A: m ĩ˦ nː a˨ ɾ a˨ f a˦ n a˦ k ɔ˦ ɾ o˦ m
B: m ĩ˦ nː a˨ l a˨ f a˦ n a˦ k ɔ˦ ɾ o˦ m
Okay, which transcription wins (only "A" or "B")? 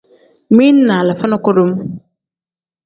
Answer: B